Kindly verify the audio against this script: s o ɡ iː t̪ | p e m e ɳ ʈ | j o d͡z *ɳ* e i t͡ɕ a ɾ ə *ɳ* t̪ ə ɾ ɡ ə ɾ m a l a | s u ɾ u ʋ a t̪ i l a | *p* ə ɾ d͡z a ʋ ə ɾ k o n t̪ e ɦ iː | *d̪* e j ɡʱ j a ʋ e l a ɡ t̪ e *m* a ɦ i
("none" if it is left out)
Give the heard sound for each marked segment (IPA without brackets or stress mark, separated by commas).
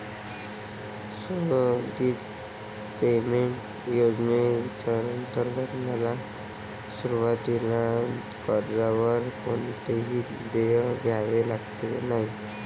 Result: n, n, k, d̪, n